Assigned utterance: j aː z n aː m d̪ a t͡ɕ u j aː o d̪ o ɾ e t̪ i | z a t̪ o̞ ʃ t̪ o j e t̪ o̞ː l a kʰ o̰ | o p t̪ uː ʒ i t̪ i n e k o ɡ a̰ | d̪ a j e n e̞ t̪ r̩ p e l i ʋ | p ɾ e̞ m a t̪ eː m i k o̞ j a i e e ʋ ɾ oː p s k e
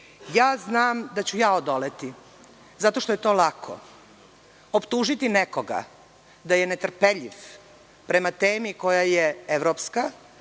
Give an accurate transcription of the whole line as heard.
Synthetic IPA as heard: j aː z n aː m d̪ a t͡ɕ u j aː o d̪ o l e t̪ i | z a t̪ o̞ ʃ t̪ o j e t̪ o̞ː l a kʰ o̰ | o p t̪ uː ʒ i t̪ i n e k o ɡ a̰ | d̪ a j e n e̞ t̪ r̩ p e ʎ i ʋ | p ɾ e̞ m a t̪ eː m i k o̞ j a j e e ʋ ɾ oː p s k a